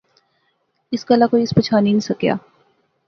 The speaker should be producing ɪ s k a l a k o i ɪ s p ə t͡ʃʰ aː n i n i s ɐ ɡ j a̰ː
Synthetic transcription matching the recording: ɪ s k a l a k o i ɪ s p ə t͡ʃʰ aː n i n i s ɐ k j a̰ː